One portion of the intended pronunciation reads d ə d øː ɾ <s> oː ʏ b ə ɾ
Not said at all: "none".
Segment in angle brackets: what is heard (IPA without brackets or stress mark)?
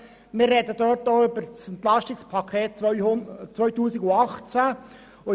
t